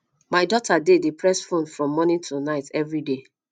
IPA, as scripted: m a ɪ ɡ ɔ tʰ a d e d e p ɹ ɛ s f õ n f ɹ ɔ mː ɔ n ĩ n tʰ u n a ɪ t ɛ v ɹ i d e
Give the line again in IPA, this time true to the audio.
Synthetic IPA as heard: m a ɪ d ɔ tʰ a d e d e p ɹ ɛ s f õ n f ɹ ɔ̃ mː ɔ n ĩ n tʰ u n a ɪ t ɛ v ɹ i d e